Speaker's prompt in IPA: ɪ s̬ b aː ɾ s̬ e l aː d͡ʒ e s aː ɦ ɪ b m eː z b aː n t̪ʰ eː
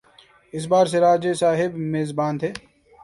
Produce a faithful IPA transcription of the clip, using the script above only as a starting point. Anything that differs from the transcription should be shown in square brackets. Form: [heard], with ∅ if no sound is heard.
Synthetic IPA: ɪ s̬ b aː ɾ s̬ e [ɾ] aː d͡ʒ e s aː ɦ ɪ b m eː z b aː n t̪ʰ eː